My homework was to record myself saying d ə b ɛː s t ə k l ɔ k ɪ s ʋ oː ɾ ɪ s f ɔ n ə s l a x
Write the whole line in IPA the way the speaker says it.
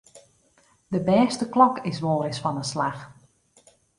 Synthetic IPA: d ə b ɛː s t ə k l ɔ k ɪ s ʋ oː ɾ ɪ s f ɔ n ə s l a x